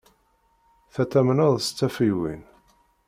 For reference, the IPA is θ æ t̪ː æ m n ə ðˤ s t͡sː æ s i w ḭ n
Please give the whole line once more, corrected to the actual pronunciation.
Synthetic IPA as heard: θ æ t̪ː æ m n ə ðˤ s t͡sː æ f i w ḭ n